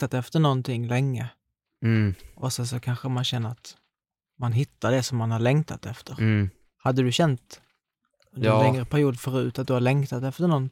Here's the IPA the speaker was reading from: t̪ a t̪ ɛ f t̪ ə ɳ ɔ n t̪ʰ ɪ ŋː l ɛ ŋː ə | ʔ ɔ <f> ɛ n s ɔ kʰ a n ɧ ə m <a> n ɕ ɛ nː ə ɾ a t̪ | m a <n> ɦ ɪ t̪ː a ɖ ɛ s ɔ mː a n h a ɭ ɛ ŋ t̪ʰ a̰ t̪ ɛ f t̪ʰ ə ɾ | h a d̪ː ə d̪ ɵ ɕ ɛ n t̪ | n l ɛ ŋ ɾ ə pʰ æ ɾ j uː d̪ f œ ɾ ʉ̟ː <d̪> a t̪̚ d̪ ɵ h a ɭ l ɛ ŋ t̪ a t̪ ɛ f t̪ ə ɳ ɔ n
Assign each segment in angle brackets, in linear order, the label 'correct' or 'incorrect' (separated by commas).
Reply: incorrect, correct, correct, incorrect